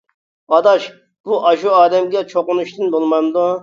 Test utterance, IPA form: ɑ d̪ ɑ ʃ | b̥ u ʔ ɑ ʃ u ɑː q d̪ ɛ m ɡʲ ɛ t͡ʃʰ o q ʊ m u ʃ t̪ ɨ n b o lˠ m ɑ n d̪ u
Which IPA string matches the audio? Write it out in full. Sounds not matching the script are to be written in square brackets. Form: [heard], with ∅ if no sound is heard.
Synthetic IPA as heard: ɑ d̪ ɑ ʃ | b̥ u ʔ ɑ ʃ u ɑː [∅] d̪ ɛ m ɡʲ ɛ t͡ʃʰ o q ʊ [n] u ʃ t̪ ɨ n b o lˠ m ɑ n d̪ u